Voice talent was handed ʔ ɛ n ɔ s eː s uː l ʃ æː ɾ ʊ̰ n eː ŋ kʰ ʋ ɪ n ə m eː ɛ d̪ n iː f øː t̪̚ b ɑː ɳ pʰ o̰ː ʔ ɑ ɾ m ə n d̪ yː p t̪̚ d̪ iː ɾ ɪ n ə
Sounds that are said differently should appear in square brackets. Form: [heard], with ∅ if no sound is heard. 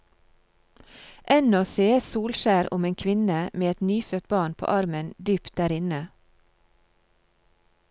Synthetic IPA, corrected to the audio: ʔ ɛ n ɔ s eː s uː l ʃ æː ɾ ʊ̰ [m] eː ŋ kʰ ʋ ɪ n ə m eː ɛ [t̪] n [yː] f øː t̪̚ b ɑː ɳ pʰ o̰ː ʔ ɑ ɾ m ə n d̪ yː p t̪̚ d̪ [æː] ɾ ɪ n ə

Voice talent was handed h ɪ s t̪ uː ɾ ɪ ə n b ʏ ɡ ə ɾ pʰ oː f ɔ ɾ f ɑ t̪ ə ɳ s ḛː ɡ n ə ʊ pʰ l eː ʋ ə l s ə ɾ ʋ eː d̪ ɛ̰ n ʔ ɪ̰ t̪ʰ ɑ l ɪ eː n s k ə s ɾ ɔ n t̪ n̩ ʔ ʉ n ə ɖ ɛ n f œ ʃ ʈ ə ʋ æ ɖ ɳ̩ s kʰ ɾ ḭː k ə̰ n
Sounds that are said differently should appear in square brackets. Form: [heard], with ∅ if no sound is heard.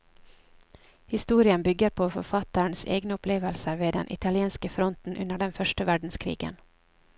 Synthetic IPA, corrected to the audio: h ɪ s t̪ uː ɾ ɪ ə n b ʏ ɡ ə ɾ pʰ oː f ɔ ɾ f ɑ t̪ ə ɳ s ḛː ɡ n ə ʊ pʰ l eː ʋ ə l s ə ɾ ʋ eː d̪ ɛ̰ n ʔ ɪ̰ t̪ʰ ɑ l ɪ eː n s k ə [f] ɾ ɔ n t̪ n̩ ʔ ʉ n ə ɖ ɛ n f œ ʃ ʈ ə ʋ æ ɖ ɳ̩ s kʰ ɾ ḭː [ɡ] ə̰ n

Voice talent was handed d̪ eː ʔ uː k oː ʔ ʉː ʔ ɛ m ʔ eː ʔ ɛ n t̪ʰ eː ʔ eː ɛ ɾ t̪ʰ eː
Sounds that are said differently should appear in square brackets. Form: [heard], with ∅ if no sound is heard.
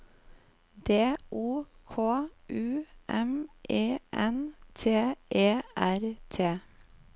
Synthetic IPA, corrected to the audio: d̪ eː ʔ uː [kʰ] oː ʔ ʉː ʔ ɛ m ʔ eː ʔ ɛ n t̪ʰ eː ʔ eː [æ] ɾ t̪ʰ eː

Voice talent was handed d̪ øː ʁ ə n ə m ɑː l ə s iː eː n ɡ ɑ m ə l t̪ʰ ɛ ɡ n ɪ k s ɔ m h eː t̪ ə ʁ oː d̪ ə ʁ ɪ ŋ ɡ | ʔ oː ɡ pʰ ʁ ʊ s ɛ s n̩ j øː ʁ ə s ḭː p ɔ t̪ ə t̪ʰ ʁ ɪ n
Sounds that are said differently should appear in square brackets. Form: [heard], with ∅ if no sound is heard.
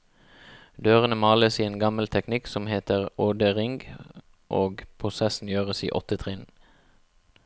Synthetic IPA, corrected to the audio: d̪ øː ʁ ə n ə m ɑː l ə s iː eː n ɡ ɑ m ə l t̪ʰ ɛ [k] n ɪ k s ɔ m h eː t̪ ə ʁ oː d̪ ə ʁ ɪ ŋ ɡ | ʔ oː ɡ pʰ ʁ ʊ s ɛ s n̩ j øː ʁ ə s ḭː [ʔ] ɔ t̪ ə t̪ʰ ʁ ɪ n

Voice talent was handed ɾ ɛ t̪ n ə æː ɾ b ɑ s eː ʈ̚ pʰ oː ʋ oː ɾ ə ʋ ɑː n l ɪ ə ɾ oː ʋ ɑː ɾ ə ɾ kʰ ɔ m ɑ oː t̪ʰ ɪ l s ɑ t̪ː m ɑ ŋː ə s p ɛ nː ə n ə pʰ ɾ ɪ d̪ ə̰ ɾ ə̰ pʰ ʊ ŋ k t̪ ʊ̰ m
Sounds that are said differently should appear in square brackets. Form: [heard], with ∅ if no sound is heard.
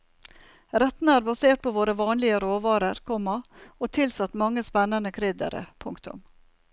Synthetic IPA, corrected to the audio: ɾ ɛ t̪ n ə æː ɾ b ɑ s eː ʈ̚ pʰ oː ʋ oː ɾ ə ʋ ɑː n l ɪ ə ɾ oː ʋ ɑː ɾ ə ɾ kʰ ɔ m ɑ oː t̪ʰ ɪ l s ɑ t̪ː m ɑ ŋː ə s p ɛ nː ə n ə [kʰ] ɾ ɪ d̪ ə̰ ɾ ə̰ pʰ ʊ ŋ k t̪ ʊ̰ m

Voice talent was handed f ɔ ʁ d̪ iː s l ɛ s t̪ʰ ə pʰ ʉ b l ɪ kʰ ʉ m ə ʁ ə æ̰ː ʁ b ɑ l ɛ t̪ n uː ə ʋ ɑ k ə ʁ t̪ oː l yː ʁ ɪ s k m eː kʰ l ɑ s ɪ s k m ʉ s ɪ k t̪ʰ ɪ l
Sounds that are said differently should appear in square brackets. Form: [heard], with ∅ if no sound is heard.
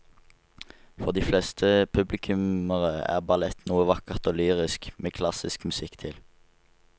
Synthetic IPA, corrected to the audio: f ɔ ʁ d̪ iː [f] l ɛ s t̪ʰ ə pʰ ʉ b l ɪ kʰ ʉ m ə ʁ ə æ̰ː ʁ b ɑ l ɛ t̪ n uː ə ʋ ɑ k ə ʁ t̪ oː l yː ʁ ɪ s k m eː kʰ l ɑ s ɪ s k m ʉ s ɪ k t̪ʰ ɪ l

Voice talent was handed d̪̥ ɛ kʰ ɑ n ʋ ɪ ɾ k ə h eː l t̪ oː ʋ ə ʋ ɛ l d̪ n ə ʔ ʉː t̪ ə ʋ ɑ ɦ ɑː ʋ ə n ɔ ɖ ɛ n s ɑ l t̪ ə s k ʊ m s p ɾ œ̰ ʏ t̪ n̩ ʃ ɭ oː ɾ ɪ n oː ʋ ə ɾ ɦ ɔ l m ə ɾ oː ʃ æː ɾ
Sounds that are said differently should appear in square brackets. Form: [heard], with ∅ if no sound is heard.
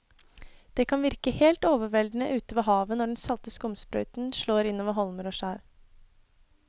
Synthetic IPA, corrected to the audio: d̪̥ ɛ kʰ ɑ n ʋ ɪ ɾ k ə h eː l t̪ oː ʋ ə ʋ ɛ l d̪ n ə ʔ ʉː t̪ ə ʋ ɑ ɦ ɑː ʋ ə n ɔ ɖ ɛ n s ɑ l t̪ ə s k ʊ m s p ɾ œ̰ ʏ t̪ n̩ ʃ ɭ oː ɾ ɪ n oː ʋ ə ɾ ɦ ɔ l m ə ɾ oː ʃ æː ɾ

